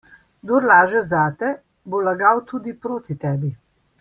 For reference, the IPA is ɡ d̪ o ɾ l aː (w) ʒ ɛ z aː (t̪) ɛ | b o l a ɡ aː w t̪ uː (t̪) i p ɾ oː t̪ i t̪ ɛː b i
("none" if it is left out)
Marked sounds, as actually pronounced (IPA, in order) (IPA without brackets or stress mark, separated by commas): none, t̪, d̪